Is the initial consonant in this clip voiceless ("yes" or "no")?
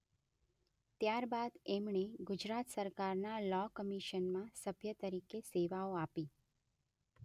yes